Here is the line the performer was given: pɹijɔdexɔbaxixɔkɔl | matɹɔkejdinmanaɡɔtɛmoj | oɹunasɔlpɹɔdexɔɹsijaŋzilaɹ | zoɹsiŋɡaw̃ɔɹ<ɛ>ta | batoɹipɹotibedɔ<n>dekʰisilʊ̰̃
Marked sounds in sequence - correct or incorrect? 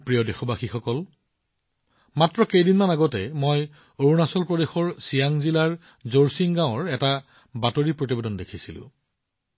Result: correct, correct

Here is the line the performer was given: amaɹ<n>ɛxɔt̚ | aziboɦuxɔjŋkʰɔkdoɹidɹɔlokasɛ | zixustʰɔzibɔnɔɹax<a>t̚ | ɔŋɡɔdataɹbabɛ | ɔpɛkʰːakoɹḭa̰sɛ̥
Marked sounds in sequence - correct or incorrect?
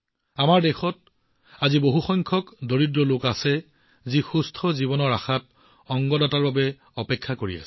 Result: incorrect, correct

